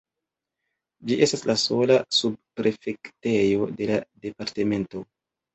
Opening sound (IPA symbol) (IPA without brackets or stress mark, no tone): d͡ʒ